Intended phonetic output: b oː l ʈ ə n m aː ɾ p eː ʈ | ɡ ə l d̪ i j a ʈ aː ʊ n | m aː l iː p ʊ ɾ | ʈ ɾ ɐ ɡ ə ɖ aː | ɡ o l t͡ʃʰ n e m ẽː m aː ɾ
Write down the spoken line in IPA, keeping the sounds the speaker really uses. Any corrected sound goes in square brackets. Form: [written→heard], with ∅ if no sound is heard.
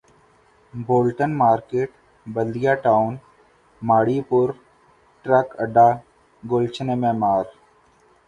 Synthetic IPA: b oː l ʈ ə n m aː ɾ [p→k] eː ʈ | [ɡ→b] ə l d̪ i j a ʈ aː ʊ n | m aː [l→ɽ] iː p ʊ ɾ | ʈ ɾ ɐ [ɡ→k] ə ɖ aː | ɡ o l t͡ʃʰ n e m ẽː m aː ɾ